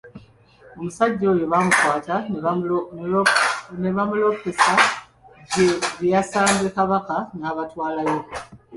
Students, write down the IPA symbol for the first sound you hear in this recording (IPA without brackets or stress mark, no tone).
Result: o̞